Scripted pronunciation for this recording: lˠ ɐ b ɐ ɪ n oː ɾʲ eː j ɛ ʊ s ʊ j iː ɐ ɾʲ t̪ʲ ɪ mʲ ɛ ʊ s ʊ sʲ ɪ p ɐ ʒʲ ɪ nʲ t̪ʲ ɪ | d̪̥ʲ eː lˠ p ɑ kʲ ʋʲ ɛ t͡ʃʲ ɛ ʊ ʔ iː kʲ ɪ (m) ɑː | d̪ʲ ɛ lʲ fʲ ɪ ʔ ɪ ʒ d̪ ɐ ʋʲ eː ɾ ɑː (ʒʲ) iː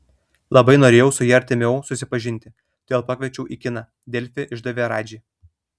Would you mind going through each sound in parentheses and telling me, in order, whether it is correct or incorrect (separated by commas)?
incorrect, incorrect